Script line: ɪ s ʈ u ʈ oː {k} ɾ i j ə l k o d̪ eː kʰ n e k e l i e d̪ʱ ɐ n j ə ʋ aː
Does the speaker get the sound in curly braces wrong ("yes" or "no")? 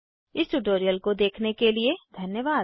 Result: yes